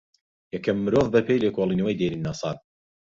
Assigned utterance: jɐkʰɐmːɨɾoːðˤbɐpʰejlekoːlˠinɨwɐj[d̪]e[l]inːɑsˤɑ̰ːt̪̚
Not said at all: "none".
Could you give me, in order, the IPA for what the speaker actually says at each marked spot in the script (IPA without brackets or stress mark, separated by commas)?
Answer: d̪, ɾ